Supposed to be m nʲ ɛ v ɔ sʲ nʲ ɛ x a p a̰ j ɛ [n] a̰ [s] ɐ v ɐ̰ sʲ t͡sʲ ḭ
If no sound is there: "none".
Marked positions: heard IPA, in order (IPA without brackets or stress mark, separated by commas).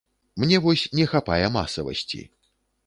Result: m, s